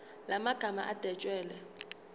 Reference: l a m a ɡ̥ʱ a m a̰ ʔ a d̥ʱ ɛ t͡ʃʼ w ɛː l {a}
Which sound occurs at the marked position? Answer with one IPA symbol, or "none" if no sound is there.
ɛ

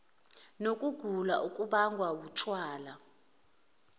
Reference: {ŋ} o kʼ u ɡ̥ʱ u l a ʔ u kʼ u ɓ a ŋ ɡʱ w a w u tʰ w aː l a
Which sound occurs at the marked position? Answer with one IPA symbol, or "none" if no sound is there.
n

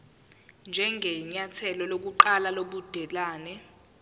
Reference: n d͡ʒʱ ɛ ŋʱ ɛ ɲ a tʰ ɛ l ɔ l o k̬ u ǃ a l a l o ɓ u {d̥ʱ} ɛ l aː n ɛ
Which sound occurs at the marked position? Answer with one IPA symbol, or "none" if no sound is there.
d̥ʱ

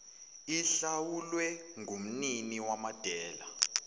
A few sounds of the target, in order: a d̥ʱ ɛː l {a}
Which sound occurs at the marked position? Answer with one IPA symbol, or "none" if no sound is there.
a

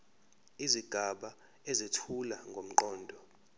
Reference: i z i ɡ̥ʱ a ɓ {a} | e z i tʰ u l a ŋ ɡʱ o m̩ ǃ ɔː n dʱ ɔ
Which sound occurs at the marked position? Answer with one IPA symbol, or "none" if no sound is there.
a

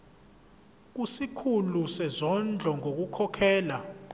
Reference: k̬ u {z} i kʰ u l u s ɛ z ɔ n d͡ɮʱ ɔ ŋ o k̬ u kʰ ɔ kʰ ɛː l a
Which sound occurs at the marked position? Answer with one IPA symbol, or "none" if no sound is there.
s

